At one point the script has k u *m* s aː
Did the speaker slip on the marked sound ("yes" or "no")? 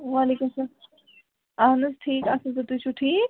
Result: no